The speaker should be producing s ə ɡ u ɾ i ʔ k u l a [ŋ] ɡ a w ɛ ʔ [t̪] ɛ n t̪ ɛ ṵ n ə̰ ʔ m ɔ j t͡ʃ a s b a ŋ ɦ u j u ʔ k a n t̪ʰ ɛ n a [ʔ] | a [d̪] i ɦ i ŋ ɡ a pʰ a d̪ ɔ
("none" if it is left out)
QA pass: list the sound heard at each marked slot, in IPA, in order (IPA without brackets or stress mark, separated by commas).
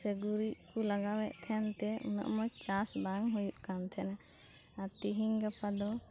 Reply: none, t̪ʰ, none, t̪